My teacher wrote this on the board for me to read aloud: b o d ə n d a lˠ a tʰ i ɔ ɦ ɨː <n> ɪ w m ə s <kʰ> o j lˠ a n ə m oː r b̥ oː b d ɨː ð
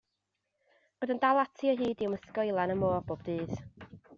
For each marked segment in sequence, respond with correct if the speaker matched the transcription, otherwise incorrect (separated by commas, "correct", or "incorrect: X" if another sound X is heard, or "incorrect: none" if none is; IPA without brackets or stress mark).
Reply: incorrect: d, incorrect: k